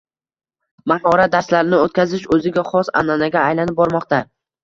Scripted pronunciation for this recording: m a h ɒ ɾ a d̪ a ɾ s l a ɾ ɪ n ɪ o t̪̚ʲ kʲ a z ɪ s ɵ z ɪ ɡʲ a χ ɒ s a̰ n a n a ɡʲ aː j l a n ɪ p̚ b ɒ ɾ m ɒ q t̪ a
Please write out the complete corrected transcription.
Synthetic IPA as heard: m a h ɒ ɾ a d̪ a ɾ s l a ɾ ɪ n ɪ o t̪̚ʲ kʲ a z ɪ ʃ ɵ z ɪ ɡʲ a χ ɒ s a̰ n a n a ɡʲ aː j l a n ɪ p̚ b ɒ ɾ m ɒ q t̪ a

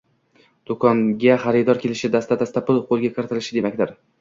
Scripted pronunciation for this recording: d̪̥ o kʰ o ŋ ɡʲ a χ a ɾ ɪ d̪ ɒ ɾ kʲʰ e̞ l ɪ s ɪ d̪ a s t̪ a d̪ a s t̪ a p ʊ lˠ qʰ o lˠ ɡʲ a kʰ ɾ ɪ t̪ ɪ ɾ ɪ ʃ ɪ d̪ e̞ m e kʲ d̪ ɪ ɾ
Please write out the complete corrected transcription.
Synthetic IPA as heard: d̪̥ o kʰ ɒ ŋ ɡʲ a χ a ɾ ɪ d̪ ɒ ɾ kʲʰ e̞ l ɪ ʃ ɪ d̪ a s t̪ a d̪ a s t̪ a p ʊ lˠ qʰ o lˠ ɡʲ a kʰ ɾ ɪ t̪ ɪ l ɪ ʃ ɪ d̪ e̞ m a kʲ d̪ ɪ ɾ

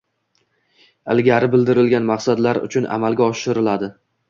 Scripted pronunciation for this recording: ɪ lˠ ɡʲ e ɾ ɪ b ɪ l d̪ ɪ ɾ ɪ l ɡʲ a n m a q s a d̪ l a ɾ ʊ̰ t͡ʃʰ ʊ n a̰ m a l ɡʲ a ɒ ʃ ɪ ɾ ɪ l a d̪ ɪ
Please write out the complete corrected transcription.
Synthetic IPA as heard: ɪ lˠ ɡʲ a ɾ ɪ b ɪ l d̪ ɪ ɾ ɪ l ɡʲ a n m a q s a d̪ l a ɾ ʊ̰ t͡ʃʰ ʊ n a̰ m a l ɡʲ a ɒ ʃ ɪ ɾ ɪ l a d̪ ɪ

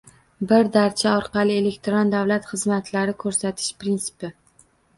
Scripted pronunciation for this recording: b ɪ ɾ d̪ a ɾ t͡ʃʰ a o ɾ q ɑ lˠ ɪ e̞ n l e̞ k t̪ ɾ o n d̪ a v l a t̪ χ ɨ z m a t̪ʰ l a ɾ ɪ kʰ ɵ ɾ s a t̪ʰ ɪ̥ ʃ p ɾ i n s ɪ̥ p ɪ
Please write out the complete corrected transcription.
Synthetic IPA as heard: b ɪ ɾ d̪ a ɾ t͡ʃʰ a ɒ ɾ q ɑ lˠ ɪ e̞ l e̞ k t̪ ɾ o n d̪ a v l a t̪ χ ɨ z m a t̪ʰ l a ɾ ɪ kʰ ɵ ɾ s a t̪ʰ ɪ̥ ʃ p ɾ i n s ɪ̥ p ɪ

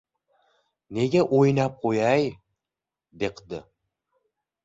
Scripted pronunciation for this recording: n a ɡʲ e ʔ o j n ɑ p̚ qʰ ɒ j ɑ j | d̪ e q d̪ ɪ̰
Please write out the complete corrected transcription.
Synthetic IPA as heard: n e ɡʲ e ʔ o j n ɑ p̚ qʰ o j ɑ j | d̪ e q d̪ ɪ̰

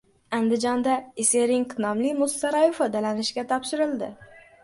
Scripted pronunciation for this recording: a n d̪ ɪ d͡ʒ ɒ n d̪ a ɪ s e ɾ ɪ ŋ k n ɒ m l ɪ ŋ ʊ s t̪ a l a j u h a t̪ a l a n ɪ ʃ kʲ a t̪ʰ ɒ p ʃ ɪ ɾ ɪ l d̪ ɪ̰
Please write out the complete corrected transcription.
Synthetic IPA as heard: a n d̪ ɪ d͡ʒ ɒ n d̪ a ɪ s e ɾ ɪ ŋ k n ɒ m l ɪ m ʊ s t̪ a ɾ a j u f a d̪ a l a n ɪ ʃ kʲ a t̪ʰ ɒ p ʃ ɪ ɾ ɪ l d̪ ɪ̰

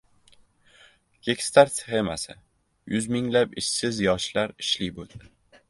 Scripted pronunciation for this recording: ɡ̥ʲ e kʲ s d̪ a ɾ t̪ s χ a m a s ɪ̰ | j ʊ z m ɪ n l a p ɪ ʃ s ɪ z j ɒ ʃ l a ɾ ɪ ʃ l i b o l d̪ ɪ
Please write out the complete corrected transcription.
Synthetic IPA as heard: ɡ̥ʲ e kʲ s t̪ a ɾ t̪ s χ e m a s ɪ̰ | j ʊ z m ɪ ŋ l a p ɪ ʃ s ɪ z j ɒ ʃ l a ɾ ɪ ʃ l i b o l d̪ ɪ

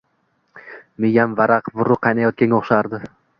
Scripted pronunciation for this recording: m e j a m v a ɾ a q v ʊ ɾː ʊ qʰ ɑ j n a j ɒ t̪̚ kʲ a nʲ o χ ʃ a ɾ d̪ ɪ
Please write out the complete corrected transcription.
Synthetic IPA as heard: m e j a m v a ɾ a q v ʊ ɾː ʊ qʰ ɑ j n a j ɒ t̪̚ kʲ a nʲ o χ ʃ a ɾ d̪ ɪ

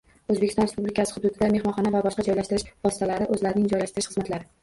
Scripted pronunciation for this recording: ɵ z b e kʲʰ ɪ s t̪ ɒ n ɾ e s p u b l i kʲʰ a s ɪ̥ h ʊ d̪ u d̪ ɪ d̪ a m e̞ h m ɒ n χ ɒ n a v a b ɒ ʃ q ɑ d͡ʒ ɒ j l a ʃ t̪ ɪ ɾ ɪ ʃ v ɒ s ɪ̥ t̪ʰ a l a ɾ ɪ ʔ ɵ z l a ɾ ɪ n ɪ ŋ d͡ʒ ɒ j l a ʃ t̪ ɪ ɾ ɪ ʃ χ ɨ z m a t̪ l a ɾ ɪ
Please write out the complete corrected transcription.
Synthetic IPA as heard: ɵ z b e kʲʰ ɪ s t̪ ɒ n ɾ e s p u b l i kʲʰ a s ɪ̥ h ʊ d̪ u d̪ ɪ d̪ a m e̞ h m ɒ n χ ɒ n a v a b ɒ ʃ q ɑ d͡ʒ ɒ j l a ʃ t̪ ɪ ɾ ɪ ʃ v ɒ s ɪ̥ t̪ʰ a l a ɾ ɪ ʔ ɵ z l a ɾ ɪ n ɪ ŋ d͡ʒ ɒ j l a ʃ t̪ ɪ ɾ ɪ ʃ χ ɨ z m a t̪ l a ɾ ɪ

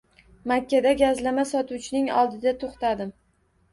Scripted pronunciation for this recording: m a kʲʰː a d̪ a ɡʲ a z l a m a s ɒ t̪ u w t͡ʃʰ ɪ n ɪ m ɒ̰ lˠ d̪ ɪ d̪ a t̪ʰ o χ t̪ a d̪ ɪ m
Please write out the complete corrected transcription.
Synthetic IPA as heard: m a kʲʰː a d̪ a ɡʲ a z l a m a s ɒ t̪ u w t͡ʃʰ ɪ n ɪ ŋ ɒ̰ lˠ d̪ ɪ d̪ a t̪ʰ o χ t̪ a d̪ ɪ m

